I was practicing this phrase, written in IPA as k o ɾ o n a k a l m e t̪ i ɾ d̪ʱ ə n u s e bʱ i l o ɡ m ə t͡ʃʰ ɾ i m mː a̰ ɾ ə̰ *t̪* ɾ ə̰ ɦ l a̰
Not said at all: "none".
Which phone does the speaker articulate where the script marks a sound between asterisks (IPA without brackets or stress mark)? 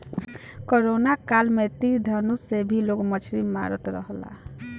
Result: t̪